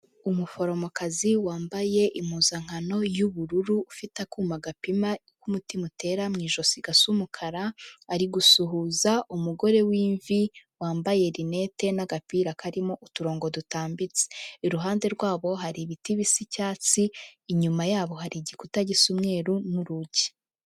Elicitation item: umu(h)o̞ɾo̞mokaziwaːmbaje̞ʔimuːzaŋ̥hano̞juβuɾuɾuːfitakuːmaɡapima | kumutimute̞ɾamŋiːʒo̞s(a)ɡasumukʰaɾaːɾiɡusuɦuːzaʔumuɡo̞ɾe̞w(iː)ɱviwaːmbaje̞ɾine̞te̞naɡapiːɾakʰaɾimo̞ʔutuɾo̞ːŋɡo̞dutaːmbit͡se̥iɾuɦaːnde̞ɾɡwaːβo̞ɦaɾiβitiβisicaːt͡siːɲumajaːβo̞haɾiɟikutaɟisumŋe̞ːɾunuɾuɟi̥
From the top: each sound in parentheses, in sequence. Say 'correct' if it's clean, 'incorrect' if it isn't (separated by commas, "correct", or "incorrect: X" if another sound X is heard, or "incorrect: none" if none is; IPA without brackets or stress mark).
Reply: incorrect: f, incorrect: i, correct